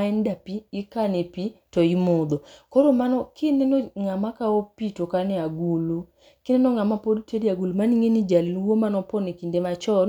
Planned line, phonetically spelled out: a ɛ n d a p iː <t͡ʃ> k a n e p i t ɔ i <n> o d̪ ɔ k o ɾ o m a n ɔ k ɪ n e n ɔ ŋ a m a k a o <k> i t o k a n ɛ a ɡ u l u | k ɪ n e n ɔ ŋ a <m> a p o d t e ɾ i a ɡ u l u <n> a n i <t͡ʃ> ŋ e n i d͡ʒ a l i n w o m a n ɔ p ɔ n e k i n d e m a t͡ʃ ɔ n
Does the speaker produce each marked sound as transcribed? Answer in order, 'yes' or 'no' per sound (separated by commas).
no, no, no, yes, no, no